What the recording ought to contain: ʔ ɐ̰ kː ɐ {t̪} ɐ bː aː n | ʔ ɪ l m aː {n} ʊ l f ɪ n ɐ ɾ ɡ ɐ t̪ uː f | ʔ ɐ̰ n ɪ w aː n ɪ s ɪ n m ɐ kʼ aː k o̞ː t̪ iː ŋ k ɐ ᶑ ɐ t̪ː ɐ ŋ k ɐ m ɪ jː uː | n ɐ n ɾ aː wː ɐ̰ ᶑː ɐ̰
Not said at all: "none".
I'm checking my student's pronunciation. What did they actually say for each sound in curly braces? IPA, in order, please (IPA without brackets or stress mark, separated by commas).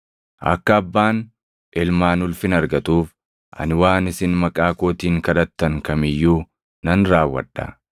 none, n